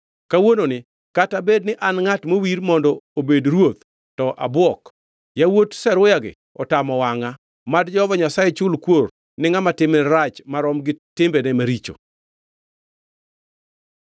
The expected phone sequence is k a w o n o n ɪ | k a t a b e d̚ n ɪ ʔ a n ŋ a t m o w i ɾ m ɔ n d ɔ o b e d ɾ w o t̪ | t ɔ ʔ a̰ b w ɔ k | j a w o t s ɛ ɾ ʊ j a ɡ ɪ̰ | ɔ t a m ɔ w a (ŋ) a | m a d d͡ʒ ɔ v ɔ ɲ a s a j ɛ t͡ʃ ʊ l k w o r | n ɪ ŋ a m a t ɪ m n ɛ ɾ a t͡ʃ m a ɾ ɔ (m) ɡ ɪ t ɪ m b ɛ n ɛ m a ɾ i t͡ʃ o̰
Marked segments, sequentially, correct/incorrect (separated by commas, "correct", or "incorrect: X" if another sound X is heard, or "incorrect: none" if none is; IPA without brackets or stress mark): correct, correct